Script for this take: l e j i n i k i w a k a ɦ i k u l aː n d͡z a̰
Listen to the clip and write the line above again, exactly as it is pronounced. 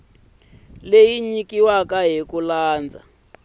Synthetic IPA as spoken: l e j i ɲ i k i w a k a ɦ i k u l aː n d͡z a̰